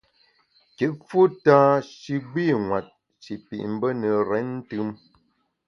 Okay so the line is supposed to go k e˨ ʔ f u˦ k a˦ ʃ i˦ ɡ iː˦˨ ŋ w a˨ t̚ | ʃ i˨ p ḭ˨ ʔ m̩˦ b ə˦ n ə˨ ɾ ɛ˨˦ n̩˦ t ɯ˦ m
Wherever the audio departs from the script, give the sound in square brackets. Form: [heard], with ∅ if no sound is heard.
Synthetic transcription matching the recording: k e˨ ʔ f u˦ [t] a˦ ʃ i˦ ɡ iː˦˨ ŋ w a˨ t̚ | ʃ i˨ p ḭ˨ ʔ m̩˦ b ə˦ n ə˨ ɾ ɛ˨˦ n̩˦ t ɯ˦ m

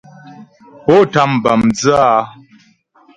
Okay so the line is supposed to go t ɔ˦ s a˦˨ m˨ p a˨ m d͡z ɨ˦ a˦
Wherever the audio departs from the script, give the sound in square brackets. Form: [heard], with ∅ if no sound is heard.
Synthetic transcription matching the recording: [p] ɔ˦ [t] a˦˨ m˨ [b] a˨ m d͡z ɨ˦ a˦

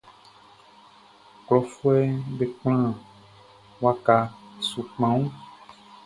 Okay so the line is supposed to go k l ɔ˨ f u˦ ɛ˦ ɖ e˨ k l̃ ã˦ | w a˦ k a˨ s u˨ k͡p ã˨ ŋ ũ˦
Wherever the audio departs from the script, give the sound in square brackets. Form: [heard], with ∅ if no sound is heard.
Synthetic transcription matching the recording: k l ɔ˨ f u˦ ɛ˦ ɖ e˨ [k͡p] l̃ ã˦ | w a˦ k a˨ s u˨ k͡p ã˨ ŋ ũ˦

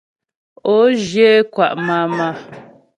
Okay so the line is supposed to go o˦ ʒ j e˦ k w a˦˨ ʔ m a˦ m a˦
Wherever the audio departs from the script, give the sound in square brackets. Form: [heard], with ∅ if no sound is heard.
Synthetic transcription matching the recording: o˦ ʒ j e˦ k w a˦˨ ʔ m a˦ m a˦

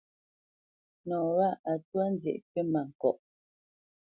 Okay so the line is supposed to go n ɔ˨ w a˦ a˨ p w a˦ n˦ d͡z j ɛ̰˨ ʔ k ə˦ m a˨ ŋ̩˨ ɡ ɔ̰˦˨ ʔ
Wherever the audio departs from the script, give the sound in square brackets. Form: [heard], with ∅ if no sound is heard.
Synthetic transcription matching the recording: n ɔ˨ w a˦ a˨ [t] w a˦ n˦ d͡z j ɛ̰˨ ʔ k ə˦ m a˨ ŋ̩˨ [k] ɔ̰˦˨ ʔ

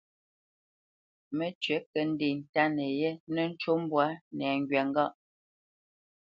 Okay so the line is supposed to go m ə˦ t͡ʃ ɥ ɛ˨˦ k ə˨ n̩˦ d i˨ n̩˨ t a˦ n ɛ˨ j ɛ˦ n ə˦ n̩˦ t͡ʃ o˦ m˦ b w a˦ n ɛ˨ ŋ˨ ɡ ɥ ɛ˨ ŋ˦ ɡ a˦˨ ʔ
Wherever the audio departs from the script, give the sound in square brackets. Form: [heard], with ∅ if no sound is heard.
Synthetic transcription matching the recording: m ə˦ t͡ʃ ɥ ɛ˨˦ k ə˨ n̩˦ d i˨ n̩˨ t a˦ n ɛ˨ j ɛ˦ n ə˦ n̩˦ t͡ʃ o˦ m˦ b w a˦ n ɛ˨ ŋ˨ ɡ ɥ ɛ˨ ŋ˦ ɡ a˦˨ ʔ

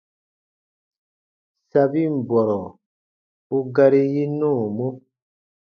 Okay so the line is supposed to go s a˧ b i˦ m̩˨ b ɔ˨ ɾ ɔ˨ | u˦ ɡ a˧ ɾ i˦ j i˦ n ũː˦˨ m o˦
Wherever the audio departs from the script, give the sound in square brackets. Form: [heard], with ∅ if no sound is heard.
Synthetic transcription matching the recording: s a˧ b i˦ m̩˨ b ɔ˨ ɾ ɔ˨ | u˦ ɡ a˧ ɾ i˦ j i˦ n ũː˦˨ m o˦

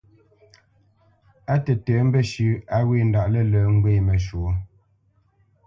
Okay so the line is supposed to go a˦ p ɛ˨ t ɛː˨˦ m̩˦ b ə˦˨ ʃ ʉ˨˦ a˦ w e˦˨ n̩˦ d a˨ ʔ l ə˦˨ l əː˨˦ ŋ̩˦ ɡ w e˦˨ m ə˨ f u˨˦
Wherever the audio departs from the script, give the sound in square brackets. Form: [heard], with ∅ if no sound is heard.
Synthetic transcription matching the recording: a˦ [t] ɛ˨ t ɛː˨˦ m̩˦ b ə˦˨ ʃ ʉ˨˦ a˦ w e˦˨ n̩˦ d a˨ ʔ l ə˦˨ l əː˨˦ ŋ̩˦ ɡ w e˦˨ m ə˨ [ʃ] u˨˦

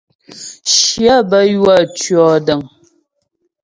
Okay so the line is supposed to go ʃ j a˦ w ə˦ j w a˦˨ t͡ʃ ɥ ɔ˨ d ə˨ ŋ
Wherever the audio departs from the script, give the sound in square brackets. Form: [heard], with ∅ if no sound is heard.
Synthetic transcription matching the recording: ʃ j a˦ [b] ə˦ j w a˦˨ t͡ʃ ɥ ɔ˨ d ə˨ ŋ

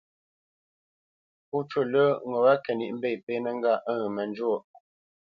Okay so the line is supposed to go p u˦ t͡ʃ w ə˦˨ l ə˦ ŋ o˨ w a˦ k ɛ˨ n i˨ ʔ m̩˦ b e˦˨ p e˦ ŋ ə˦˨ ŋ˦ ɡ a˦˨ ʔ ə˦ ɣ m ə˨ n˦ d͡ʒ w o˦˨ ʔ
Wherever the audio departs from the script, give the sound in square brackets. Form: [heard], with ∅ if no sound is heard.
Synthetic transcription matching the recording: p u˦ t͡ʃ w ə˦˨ l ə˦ ŋ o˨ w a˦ k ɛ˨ n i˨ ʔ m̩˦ b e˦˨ p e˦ [n] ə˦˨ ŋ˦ ɡ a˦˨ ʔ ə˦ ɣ m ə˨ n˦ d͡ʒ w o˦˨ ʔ

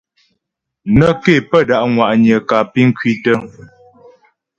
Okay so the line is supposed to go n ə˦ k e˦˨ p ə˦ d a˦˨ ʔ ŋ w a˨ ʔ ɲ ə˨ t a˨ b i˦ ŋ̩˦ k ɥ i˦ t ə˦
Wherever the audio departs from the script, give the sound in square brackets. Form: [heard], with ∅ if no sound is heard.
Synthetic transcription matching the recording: n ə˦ k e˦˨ p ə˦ d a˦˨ ʔ ŋ w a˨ ʔ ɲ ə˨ [k] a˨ [p] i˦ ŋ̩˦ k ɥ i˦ t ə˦

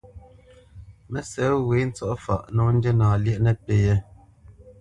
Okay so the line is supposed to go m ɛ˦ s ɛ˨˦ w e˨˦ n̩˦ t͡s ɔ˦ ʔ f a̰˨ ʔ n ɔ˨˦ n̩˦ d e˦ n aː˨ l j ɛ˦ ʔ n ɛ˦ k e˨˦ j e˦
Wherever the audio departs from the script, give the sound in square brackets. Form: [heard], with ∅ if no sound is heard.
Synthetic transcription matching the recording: m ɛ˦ s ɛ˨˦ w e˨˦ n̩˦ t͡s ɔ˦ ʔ f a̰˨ ʔ n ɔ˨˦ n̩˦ d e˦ n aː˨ l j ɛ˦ ʔ n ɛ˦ [p] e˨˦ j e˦

